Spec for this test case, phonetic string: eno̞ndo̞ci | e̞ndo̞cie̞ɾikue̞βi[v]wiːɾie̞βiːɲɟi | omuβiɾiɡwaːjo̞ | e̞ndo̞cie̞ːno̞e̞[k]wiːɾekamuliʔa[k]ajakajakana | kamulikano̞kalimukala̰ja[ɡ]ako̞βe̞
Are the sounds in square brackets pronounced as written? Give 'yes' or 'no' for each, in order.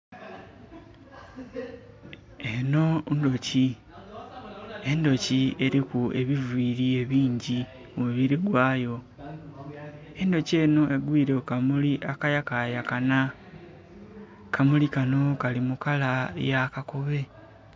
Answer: yes, no, yes, no

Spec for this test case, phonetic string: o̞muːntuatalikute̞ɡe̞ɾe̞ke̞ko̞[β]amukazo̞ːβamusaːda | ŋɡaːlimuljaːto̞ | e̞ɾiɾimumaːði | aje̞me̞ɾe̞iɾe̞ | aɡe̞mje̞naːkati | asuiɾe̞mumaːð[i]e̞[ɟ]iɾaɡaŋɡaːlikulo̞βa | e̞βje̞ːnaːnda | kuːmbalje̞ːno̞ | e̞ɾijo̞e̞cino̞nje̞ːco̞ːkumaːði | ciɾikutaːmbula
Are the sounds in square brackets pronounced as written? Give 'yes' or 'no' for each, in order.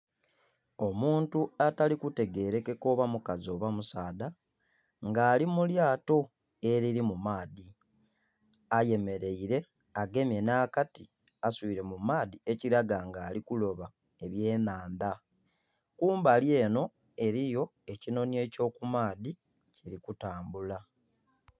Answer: yes, yes, no

